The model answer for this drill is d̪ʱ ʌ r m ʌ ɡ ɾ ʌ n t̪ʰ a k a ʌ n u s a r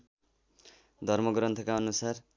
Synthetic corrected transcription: d̪ʱ ʌ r m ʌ ɡ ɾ ʌ n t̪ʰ ʌ k a ʌ n u s a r